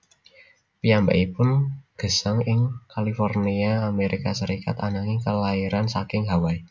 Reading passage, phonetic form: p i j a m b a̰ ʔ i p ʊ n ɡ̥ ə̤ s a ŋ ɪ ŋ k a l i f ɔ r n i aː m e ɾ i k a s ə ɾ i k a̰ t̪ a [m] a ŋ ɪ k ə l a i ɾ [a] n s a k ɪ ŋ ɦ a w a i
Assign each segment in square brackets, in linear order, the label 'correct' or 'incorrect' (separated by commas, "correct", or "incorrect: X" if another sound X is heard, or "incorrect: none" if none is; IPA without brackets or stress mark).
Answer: incorrect: n, correct